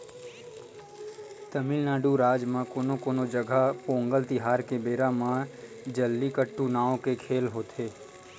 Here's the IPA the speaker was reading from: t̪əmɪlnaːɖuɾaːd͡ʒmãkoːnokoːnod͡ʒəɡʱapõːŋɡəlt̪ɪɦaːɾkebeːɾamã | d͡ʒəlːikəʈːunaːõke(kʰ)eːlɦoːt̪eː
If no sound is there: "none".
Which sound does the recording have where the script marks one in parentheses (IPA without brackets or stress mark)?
kʰ